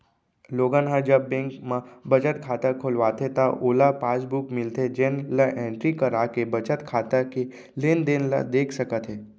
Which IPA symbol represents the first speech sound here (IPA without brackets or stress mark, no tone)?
l